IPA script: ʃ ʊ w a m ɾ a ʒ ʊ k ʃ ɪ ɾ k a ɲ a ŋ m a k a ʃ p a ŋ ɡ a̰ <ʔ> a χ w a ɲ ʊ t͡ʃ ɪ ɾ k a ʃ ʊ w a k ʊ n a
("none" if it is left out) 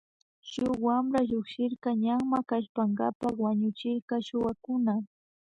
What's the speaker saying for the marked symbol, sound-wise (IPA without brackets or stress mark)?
p